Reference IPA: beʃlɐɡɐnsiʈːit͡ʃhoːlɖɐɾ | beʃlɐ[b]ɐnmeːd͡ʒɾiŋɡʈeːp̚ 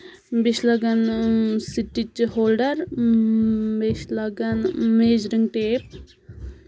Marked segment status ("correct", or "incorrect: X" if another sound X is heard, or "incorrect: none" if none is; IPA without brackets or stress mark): incorrect: ɡ